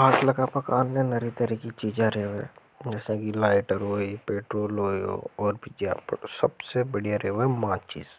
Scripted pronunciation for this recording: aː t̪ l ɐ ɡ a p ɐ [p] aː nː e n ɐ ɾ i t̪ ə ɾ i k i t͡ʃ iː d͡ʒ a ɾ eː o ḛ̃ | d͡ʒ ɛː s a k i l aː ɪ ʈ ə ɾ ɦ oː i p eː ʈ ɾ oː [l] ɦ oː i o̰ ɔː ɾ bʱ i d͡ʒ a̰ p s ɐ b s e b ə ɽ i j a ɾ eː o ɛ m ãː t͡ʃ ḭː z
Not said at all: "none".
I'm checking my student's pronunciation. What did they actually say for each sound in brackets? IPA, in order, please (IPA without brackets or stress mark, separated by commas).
k, l